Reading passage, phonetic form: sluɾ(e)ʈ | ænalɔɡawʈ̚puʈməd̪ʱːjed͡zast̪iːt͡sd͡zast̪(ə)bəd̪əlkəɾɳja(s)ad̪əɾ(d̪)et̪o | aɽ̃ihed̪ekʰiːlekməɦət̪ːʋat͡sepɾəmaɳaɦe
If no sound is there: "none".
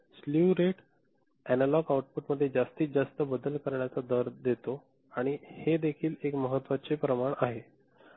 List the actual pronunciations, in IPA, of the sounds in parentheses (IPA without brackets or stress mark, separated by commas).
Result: e, ə, t͡s, d̪